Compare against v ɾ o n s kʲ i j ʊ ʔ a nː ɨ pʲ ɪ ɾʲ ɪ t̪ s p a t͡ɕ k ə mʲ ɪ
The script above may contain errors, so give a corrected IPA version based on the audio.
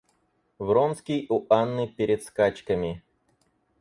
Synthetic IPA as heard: v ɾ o n s kʲ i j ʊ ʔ a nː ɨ pʲ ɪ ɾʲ ɪ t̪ s k a t͡ɕ k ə mʲ ɪ